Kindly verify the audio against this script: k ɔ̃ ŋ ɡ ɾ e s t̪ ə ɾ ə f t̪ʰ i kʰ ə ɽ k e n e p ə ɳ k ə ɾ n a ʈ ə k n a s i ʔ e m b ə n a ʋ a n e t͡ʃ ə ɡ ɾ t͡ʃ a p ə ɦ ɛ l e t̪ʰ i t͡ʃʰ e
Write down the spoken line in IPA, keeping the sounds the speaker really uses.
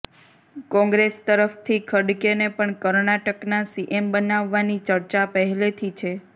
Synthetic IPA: k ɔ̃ ŋ ɡ ɾ e s t̪ ə ɾ ə f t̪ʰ i kʰ ə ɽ k e n e p ə ɳ k ə ɾ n a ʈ ə k n a s i ʔ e m b ə n a ʋː a n i t͡ʃ ə ɾ t͡ʃ a p ə ɦ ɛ l e t̪ʰ i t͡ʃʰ e